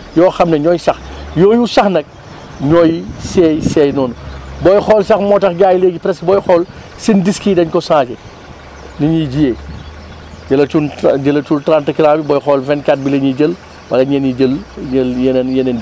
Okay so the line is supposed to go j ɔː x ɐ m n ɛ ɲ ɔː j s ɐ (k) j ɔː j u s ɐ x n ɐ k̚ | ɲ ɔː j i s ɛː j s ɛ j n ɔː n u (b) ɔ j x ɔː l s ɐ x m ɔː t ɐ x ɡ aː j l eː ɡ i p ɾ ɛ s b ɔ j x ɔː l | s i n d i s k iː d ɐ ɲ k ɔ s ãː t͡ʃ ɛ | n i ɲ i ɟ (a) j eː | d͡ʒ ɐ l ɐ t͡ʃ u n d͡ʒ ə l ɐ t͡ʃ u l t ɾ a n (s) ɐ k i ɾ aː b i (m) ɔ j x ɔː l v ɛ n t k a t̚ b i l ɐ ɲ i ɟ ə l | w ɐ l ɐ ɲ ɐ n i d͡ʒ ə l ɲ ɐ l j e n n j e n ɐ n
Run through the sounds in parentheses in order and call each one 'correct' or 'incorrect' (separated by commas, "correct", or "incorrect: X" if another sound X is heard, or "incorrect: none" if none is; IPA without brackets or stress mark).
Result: incorrect: x, correct, incorrect: i, incorrect: t, incorrect: b